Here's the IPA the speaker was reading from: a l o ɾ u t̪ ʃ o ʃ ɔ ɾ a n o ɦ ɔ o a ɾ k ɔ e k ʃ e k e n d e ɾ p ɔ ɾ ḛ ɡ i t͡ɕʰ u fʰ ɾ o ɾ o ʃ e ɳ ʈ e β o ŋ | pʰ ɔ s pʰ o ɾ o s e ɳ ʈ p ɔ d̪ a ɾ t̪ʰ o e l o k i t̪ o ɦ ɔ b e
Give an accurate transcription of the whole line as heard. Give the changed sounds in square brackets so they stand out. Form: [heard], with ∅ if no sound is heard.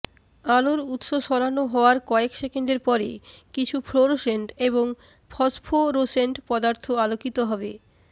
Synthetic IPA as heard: a l o ɾ u t̪ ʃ o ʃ ɔ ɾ a n o ɦ ɔ o a ɾ k ɔ e k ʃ e k e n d e ɾ p ɔ ɾ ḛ [k] i t͡ɕʰ u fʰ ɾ o ɾ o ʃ e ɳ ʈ e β o ŋ | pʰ ɔ s pʰ o ɾ o s e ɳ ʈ p ɔ d̪ a ɾ t̪ʰ o [a] l o k i t̪ o ɦ ɔ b e